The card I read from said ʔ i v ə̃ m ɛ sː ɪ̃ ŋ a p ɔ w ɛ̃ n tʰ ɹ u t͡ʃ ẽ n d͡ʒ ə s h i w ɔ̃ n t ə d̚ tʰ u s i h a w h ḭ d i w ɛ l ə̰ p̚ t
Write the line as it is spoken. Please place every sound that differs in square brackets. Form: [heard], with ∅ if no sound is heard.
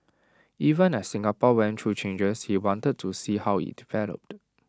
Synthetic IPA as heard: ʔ i v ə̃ [n] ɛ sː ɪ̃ ŋ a p ɔ w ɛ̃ n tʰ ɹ u t͡ʃ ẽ n d͡ʒ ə s h i w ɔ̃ n t ə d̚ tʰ u s i h a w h ḭ d i [v] ɛ l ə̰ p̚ t